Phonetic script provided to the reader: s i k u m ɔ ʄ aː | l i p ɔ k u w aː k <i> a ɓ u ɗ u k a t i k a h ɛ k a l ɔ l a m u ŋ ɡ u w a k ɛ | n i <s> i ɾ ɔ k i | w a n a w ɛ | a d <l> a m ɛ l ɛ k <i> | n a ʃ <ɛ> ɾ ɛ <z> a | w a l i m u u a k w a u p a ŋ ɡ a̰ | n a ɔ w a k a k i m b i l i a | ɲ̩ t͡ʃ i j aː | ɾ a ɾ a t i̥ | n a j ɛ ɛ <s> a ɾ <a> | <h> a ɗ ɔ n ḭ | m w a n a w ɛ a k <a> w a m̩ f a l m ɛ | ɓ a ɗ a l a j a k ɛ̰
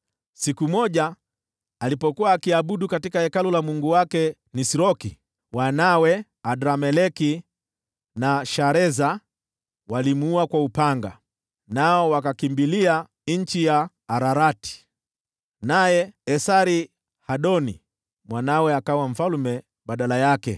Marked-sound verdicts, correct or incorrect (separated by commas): correct, correct, incorrect, correct, incorrect, correct, correct, incorrect, correct, correct